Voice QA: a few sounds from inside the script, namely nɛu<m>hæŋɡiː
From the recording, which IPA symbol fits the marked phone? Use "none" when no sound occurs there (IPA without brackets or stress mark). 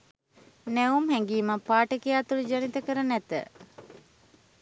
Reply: m